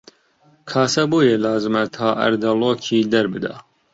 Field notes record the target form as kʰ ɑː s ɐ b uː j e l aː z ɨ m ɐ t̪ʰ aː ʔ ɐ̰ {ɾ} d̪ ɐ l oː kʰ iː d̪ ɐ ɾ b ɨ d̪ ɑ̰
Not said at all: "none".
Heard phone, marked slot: ɾ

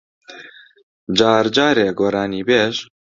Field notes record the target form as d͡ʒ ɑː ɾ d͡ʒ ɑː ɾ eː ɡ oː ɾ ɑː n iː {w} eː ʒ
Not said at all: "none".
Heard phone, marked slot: b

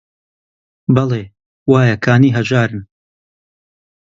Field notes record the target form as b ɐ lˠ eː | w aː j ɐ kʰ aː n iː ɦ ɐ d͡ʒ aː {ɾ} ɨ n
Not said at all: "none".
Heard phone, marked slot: ɾ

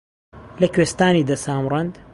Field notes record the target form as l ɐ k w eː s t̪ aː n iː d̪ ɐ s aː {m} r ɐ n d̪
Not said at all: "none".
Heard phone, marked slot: m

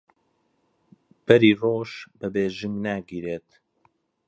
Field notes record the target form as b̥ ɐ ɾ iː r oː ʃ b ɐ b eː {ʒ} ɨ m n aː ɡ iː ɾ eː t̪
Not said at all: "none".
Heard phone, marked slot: ʒ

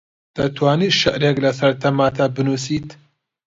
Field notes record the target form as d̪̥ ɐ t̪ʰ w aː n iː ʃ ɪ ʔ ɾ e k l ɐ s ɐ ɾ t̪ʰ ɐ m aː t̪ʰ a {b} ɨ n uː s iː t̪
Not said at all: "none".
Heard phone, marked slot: b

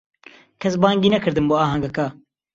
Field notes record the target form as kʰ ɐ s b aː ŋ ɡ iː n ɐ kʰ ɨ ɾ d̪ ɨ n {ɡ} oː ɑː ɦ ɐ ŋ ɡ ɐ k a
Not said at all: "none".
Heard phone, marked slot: b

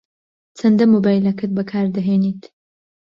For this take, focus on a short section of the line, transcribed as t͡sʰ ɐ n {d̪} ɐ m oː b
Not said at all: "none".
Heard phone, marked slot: d̪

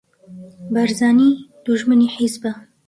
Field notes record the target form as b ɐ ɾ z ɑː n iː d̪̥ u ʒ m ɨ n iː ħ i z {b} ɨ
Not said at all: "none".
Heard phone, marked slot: b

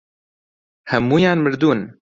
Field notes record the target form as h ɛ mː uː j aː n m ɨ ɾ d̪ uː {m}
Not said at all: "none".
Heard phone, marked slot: n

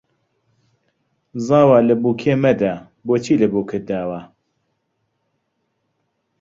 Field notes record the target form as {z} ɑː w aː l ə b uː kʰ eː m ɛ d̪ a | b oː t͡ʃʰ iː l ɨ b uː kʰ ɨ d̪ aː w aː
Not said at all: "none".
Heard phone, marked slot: z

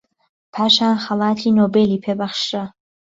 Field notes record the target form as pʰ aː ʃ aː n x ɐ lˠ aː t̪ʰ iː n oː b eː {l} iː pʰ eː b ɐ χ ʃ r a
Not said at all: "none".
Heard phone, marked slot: l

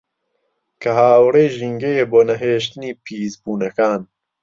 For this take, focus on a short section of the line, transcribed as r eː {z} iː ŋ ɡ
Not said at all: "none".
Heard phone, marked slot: ʒ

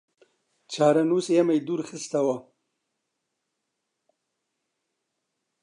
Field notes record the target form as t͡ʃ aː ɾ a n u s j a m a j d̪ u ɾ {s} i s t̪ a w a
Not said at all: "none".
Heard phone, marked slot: x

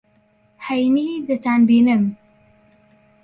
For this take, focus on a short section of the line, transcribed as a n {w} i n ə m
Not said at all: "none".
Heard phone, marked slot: b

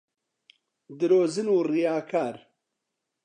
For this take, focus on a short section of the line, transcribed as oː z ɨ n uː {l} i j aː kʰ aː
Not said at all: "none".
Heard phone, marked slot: r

